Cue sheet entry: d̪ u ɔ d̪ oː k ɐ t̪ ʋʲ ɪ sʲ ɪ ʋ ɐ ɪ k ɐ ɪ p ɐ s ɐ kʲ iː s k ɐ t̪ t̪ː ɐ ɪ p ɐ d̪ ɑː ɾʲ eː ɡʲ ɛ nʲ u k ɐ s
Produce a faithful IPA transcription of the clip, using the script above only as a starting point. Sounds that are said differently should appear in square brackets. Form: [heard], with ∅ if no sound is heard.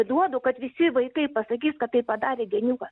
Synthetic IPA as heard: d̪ u ɔ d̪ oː k ɐ t̪ ʋʲ ɪ sʲ ɪ ʋ ɐ ɪ k ɐ ɪ p ɐ s ɐ kʲ iː s k ɐ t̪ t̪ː ɐ ɪ p ɐ d̪ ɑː ɾʲ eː ɡʲ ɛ nʲ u k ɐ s